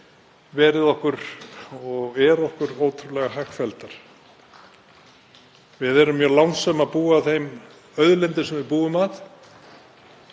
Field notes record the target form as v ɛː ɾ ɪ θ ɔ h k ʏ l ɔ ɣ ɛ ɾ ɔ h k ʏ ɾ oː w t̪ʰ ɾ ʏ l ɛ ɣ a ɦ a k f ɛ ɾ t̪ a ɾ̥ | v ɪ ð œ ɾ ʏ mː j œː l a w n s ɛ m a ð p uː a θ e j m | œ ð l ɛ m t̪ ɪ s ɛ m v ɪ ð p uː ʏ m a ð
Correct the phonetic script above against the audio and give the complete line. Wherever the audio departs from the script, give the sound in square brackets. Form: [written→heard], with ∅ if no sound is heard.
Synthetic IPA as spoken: v ɛː ɾ ɪ [θ→ð] ɔ h k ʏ [l→ɾ] ɔ ɣ ɛ ɾ ɔ h k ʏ ɾ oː w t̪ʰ ɾ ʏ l ɛ ɣ a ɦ a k f ɛ [ɾ→l] t̪ a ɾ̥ | v ɪ ð [œ→ɛ] ɾ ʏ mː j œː l a w n s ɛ m a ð p uː a θ e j m | œ ð l ɛ [m→n] t̪ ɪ s ɛ m v ɪ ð p uː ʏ m a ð